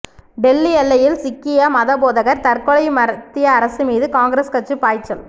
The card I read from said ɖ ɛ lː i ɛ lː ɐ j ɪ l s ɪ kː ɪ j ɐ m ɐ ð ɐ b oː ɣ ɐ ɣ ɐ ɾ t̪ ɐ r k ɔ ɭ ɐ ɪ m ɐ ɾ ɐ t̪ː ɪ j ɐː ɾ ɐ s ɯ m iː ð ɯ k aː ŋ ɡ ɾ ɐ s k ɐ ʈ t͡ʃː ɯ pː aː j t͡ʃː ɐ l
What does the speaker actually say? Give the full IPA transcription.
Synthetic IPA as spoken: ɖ ɛ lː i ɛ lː ɐ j ɪ l s ɪ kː ɪ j ɐ m ɐ ð ɐ b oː ð ɐ ɣ ɐ ɾ t̪ ɐ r k ɔ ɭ ɐ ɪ m ɐ ɾ ɐ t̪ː ɪ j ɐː ɾ ɐ s ɯ m iː ð ɯ k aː ŋ ɡ ɾ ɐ s k ɐ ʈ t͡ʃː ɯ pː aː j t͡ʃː ɐ l